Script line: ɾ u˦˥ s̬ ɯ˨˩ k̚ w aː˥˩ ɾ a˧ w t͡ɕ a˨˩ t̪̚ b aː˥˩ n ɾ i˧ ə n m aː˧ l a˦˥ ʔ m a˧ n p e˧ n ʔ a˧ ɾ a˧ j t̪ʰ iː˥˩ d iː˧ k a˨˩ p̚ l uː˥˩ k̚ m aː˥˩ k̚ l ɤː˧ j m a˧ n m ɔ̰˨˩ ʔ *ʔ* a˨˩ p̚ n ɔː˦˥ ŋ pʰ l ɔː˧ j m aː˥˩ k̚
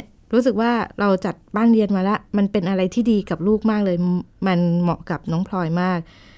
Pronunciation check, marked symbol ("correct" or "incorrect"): incorrect